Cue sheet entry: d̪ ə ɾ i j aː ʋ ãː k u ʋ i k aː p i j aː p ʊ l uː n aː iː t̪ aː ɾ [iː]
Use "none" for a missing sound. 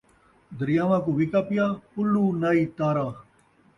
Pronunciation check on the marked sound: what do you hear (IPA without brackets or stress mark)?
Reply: aː